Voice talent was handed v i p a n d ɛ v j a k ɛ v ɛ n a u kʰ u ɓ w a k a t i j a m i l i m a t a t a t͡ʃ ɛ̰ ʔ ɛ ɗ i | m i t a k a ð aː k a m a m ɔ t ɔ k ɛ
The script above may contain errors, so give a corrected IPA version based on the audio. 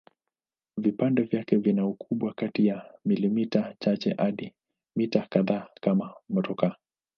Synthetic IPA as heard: v i p a n d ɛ v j a k ɛ v i n a u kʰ u ɓ w a k a t i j a m i l i m i t a t͡ʃ a t͡ʃ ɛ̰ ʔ a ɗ i | m i t a k a ð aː k a m a m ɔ t ɔ k a